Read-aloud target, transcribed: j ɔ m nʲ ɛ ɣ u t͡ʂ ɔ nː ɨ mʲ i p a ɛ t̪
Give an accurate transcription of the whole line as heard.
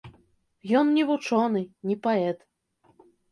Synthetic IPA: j ɔ n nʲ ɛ v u t͡ʂ ɔ n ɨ nʲ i p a ɛ t̪